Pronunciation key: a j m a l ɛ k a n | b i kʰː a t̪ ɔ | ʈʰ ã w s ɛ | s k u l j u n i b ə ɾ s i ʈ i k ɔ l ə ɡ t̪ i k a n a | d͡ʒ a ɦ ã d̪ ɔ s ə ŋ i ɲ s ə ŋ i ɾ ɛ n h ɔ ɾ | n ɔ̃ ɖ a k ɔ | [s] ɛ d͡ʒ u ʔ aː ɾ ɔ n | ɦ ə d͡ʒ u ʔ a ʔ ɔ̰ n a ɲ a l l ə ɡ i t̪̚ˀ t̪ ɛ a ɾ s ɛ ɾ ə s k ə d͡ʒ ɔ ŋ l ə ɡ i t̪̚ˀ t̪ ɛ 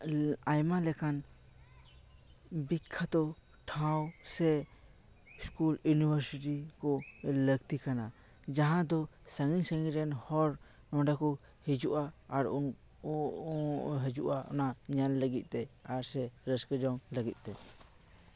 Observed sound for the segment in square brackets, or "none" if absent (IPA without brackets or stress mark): h